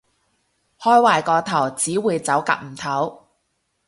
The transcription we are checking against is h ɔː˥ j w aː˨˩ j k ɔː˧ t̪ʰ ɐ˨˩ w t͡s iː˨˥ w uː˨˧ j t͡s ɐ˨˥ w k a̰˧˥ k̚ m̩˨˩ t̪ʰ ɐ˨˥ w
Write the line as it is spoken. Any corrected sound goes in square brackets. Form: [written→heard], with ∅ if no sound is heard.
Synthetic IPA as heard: h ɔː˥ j w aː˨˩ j k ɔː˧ t̪ʰ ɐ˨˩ w t͡s iː˨˥ w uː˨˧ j t͡s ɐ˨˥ w k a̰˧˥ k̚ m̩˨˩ t̪ʰ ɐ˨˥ w